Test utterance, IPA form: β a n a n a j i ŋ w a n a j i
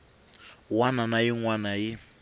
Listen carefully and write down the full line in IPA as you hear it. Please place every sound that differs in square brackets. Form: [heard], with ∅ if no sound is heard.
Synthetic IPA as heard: [w] a n a n a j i ŋ w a n a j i